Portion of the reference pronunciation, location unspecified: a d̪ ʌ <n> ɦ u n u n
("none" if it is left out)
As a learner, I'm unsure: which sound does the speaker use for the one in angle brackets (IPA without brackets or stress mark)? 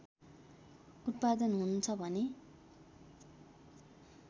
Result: n